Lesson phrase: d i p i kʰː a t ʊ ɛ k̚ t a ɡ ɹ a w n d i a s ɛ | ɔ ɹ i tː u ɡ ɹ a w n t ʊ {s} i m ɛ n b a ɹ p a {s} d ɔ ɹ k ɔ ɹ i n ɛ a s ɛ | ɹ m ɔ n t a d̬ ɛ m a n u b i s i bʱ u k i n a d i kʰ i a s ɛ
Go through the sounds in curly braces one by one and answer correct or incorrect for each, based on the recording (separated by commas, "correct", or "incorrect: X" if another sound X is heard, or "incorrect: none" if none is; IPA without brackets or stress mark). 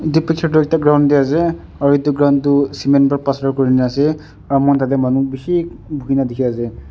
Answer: correct, correct